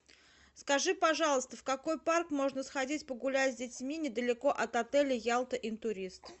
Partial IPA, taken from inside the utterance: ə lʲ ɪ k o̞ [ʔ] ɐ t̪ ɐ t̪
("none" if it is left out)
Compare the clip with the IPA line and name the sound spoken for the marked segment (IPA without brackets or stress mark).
ʔ